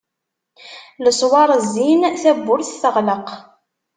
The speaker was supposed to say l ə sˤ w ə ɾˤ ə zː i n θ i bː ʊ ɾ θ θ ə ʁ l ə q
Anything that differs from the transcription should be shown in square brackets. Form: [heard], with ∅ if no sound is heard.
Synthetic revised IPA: l ə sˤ w [ɑ] ɾˤ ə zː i n θ [æ] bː ʊ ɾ θ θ ə ʁ l ə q